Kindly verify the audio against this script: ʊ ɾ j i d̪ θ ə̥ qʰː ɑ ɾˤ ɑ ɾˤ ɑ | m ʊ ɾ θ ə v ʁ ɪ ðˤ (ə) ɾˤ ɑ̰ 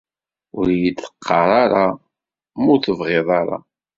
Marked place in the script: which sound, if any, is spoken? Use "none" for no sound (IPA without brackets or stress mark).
ɑ